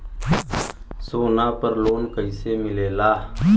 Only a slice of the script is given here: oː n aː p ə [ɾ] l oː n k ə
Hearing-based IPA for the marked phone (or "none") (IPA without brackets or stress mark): ɾ